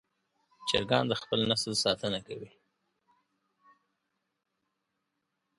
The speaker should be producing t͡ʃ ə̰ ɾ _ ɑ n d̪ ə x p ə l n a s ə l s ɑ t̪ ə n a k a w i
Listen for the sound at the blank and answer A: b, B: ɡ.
B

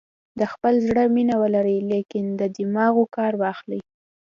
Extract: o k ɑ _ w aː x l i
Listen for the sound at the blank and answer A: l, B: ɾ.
B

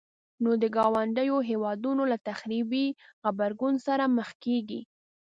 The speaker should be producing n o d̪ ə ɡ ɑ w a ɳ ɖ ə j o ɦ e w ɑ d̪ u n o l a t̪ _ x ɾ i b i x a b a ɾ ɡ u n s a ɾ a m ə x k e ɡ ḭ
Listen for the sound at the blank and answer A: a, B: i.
A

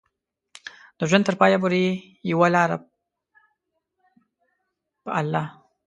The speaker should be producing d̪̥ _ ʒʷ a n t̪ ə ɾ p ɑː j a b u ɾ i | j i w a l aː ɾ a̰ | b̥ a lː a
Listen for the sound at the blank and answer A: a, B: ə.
B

